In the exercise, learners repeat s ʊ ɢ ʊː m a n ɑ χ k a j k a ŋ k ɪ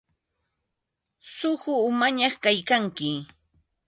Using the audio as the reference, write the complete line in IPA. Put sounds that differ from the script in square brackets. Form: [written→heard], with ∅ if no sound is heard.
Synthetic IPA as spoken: s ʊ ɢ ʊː m a [n→ɲ] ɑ χ k a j k a ŋ k ɪ